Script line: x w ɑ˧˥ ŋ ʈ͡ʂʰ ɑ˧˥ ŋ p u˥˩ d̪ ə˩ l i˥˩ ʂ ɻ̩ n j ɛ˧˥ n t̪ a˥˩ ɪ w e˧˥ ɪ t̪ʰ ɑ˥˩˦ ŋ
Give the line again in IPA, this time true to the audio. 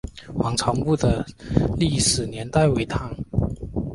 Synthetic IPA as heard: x w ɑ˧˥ ŋ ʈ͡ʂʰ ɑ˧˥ ŋ p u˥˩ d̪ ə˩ l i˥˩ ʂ ɻ̩ n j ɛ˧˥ n t̪ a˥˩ ɪ w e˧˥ ɪ t̪ʰ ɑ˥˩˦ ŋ